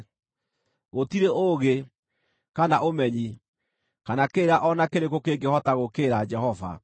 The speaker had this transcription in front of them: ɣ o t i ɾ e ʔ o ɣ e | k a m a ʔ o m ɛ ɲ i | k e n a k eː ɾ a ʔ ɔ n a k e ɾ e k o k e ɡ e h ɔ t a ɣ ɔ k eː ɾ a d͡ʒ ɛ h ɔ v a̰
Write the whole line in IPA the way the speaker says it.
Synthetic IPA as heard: ɣ o t i ɾ e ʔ o ɣ e | k a n a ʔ o m ɛ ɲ i | k a n a k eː ɾ a ʔ ɔ n a k e ɾ e k o k e ɡ e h ɔ t a ɣ o k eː ɾ a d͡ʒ ɛ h ɔ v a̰